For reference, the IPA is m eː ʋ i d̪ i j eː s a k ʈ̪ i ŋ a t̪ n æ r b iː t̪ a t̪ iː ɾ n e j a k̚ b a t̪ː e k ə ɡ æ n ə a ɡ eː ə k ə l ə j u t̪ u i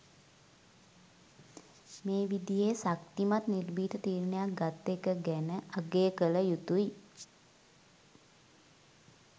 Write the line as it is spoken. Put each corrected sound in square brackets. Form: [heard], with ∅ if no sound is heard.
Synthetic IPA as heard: m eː ʋ i d̪ i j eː s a k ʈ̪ i [m] a t̪ n [i] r b iː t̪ [ə] t̪ iː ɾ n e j a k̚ [ɡ] a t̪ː e k ə ɡ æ n ə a ɡ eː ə k ə l ə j u t̪ u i